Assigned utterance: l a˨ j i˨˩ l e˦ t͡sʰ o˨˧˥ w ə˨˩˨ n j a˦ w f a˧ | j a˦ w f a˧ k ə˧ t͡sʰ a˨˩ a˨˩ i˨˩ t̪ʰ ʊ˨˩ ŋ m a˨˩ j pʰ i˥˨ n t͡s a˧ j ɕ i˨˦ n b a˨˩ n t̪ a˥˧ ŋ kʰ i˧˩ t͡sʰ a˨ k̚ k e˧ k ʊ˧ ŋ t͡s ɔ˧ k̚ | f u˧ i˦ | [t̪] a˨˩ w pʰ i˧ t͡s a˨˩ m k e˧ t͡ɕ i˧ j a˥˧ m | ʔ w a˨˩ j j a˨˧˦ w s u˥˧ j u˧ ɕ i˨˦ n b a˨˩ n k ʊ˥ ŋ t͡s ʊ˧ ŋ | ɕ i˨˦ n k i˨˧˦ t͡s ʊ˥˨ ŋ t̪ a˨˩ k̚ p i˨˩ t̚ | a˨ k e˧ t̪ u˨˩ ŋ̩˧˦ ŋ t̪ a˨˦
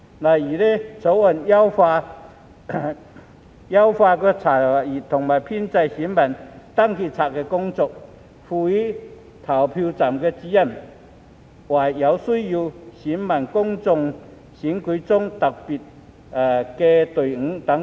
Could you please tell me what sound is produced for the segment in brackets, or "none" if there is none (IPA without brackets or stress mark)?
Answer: t̪ʰ